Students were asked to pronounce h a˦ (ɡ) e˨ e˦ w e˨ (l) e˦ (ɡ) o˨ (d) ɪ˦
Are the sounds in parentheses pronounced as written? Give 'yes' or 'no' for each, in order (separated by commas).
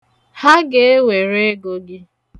yes, no, yes, no